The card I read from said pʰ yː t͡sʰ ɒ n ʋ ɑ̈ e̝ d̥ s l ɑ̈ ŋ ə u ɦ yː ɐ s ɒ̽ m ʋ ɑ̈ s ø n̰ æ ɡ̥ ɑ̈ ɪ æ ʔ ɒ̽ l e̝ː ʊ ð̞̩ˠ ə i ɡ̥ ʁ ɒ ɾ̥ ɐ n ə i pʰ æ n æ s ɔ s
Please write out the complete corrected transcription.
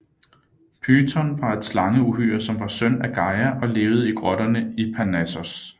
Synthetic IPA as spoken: pʰ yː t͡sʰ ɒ n ʋ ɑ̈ e̝ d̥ s l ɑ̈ ŋ ə u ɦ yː ɐ s ɒ̽ m ʋ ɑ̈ s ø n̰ æ ɡ̥ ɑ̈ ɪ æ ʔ ɒ̽ l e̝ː ʊ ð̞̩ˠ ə i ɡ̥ ʁ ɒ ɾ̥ ɐ n ə i pʰ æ n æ s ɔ s